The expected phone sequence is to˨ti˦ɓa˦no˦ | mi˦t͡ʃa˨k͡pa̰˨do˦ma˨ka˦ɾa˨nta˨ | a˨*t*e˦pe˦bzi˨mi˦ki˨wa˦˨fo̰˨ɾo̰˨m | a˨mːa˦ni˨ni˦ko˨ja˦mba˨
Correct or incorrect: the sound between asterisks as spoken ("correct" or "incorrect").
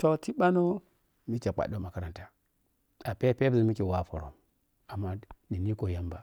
incorrect